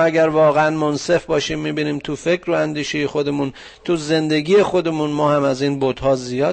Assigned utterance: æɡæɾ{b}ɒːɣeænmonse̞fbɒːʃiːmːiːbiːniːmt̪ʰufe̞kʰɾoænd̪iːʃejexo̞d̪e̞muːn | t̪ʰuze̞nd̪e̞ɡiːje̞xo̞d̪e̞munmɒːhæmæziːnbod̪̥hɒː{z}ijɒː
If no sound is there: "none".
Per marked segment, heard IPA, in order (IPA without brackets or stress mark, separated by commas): v, z